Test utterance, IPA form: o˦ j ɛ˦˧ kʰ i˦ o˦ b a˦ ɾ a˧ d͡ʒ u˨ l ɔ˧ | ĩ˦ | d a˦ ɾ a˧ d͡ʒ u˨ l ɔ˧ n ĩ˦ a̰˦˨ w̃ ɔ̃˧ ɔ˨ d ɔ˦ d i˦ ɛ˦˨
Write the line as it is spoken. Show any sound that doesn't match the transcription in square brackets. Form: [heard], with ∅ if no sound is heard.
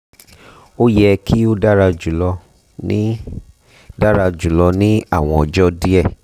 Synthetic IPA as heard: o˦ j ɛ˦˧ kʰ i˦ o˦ [d] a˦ ɾ a˧ d͡ʒ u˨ l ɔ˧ | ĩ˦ | d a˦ ɾ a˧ d͡ʒ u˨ l ɔ˧ n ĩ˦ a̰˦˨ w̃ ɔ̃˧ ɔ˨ [d͡ʒ] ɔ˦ d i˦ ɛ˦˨